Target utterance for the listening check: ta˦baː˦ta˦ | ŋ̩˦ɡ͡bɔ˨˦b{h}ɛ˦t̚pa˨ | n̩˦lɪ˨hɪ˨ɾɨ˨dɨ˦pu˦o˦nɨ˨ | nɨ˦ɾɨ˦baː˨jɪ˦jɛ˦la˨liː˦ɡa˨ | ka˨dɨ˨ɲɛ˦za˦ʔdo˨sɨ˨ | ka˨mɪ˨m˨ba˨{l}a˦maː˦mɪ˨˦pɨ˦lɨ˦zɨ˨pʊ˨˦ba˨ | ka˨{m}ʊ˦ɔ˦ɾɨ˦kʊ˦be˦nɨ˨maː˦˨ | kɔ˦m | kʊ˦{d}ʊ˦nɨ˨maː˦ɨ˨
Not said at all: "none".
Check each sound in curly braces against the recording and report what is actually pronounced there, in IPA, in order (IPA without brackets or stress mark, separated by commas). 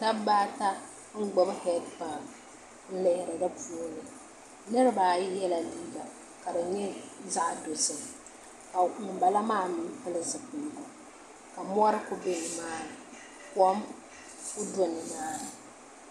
h, l, m, d